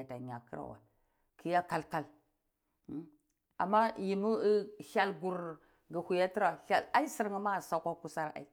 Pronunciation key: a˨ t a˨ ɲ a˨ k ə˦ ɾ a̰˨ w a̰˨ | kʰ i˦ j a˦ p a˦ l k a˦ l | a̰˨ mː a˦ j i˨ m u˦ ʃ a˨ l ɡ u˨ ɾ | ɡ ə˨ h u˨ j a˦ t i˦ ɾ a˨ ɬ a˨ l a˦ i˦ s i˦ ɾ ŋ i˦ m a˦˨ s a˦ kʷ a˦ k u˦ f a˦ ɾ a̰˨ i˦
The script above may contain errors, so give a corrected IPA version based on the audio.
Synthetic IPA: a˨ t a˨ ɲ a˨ k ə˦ ɾ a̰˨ w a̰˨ | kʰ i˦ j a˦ k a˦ l k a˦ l | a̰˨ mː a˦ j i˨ m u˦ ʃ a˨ l ɡ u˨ ɾ | ɡ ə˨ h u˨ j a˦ t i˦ ɾ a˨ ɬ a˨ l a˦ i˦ s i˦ ɾ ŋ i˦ m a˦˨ s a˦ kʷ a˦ k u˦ s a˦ ɾ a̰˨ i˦